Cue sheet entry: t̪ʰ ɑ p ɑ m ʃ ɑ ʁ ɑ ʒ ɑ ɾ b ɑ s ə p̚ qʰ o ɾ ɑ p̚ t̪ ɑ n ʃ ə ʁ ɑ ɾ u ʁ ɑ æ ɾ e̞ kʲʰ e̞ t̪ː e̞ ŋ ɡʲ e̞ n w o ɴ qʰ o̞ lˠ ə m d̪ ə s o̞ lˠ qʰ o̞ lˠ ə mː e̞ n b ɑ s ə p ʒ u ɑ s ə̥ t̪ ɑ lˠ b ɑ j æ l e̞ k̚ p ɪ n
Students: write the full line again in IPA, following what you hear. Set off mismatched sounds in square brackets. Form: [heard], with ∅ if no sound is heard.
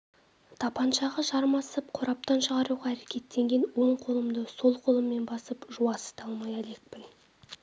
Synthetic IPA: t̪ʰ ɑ p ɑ [n] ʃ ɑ ʁ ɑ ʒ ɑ ɾ [m] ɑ s ə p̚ qʰ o ɾ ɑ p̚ t̪ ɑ n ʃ ə ʁ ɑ ɾ u ʁ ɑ æ ɾ e̞ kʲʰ e̞ t̪ː e̞ ŋ ɡʲ e̞ n w o ɴ qʰ o̞ lˠ ə m d̪ ə s o̞ lˠ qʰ o̞ lˠ ə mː e̞ n b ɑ s ə p ʒ u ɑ s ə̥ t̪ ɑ lˠ [m] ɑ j æ l e̞ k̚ p ɪ n